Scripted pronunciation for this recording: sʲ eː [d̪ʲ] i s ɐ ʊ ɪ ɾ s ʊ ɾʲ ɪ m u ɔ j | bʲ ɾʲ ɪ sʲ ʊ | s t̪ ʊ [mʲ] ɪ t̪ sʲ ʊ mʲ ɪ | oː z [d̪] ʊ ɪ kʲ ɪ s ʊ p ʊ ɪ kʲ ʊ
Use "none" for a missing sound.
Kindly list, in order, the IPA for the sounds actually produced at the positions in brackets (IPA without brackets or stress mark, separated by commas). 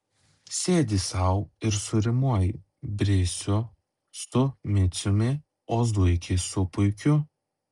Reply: d̪ʲ, mʲ, d̪